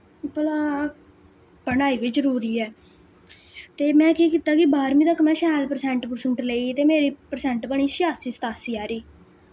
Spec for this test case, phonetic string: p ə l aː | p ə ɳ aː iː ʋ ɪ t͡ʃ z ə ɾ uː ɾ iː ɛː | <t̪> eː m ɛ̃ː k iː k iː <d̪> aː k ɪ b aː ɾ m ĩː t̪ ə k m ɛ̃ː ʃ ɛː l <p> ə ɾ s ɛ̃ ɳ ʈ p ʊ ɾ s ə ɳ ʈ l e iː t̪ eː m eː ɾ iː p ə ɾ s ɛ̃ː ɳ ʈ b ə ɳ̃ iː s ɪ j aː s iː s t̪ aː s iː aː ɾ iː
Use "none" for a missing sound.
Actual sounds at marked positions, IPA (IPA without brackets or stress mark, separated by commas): t̪, t̪, p